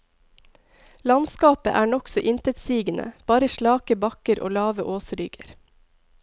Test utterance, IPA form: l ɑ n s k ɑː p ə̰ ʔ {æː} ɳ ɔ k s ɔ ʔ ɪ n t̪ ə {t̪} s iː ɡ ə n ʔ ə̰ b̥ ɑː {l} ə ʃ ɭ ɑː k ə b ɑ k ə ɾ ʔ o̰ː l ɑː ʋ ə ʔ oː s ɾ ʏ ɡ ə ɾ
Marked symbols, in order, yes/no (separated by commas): yes, yes, no